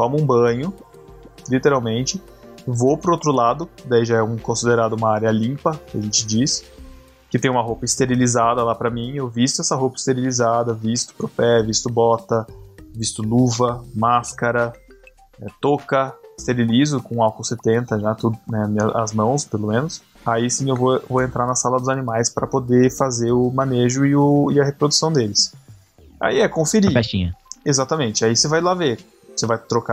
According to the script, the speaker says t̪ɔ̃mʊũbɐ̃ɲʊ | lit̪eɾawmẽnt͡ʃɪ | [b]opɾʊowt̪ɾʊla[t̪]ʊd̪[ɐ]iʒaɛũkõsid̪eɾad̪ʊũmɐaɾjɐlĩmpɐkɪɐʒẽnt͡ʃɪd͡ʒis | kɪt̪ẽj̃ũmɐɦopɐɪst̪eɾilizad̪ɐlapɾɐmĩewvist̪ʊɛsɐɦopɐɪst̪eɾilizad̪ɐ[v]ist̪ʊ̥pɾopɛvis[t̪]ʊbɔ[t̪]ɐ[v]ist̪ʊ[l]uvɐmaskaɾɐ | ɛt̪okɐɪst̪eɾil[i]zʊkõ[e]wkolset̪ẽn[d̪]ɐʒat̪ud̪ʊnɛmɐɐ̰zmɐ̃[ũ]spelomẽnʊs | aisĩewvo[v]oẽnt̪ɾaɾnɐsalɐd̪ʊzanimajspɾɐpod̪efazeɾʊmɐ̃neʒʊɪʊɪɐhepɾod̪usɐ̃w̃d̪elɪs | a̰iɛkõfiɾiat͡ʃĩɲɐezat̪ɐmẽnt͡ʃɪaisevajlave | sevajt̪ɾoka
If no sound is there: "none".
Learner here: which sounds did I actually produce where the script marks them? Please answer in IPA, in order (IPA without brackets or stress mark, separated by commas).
v, d̪, a, v, t̪, t̪, v, l, i, a, t̪, w̃, v